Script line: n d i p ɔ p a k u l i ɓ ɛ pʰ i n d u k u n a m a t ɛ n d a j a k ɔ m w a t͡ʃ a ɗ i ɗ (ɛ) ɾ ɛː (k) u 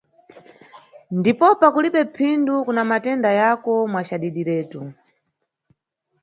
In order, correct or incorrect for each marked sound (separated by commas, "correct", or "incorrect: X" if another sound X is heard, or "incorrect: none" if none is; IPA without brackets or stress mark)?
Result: incorrect: i, incorrect: t